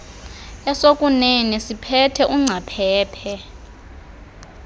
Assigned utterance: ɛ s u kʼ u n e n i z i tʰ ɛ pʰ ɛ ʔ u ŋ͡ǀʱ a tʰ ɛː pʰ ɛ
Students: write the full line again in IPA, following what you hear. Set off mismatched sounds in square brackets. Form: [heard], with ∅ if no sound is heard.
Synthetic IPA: ɛ s [o] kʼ u n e n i [s] i [pʰ] ɛ [tʰ] ɛ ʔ u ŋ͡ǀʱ a [pʰ] ɛː pʰ ɛ

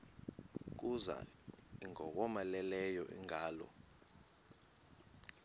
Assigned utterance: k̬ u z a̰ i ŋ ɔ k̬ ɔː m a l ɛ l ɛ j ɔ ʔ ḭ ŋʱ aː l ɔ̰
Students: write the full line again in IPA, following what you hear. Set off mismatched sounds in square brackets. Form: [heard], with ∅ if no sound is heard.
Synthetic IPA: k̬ u z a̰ i ŋ ɔ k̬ [ɔ] m a l ɛ l ɛ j ɔ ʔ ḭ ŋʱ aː l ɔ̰

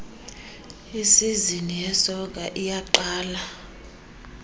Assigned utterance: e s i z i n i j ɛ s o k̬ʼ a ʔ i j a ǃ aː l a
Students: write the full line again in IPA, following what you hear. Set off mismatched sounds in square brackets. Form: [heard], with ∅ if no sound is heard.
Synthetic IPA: [i] s i z i n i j ɛ s [ɔ] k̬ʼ a ʔ i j a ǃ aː l a

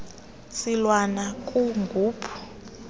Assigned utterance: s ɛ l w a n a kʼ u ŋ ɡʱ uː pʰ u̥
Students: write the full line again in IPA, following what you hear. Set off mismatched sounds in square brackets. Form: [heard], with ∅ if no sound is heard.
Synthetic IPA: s [i] l w a n a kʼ u ŋ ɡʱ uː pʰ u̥

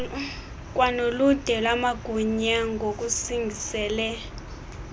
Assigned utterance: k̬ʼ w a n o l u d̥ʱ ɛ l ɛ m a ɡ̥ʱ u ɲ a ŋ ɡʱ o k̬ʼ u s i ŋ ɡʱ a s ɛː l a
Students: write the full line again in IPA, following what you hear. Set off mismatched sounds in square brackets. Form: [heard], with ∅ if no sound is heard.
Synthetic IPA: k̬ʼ w a n o l u d̥ʱ ɛ l [a] m a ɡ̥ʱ u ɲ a ŋ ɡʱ o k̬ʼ u s i ŋ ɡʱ [i] s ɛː l [ɛ]

